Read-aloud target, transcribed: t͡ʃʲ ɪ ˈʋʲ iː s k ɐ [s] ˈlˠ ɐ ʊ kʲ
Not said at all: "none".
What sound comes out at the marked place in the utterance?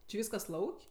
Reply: s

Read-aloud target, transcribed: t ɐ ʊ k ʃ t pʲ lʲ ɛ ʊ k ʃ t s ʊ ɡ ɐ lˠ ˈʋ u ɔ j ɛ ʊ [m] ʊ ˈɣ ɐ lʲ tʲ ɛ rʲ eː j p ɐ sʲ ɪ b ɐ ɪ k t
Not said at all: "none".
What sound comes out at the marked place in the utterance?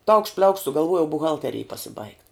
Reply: b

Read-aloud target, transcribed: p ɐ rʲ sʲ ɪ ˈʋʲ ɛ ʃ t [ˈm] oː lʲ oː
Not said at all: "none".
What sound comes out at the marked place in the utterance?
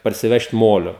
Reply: m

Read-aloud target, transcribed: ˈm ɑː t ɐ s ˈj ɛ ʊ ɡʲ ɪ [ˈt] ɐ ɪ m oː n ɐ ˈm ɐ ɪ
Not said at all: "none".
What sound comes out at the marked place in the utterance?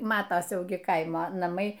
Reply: k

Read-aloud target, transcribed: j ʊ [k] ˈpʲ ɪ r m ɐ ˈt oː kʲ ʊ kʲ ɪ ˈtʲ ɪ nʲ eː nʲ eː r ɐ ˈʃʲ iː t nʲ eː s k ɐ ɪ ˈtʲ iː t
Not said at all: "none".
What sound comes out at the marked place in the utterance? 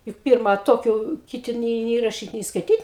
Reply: k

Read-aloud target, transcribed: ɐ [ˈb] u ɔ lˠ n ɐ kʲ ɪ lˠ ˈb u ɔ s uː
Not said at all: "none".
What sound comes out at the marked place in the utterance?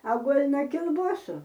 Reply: ɡ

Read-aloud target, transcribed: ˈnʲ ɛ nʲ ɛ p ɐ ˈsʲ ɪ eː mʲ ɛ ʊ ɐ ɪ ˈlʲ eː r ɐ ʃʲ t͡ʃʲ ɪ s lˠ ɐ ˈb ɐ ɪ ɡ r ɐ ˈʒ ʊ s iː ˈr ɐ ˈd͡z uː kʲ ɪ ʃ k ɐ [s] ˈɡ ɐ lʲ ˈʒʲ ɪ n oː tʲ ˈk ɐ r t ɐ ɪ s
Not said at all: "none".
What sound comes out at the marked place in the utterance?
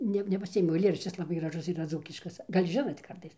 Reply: s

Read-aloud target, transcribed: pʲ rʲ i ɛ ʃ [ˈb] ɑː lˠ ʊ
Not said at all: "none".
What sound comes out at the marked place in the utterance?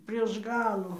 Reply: ɡ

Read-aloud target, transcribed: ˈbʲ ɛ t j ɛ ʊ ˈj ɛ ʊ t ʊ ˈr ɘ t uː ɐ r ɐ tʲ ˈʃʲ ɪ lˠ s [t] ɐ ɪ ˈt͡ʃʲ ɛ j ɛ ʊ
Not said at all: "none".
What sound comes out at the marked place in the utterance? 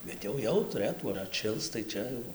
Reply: t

